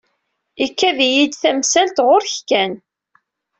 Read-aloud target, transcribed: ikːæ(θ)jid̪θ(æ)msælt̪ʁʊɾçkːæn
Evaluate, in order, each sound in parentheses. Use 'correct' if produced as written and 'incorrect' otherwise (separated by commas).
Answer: incorrect, correct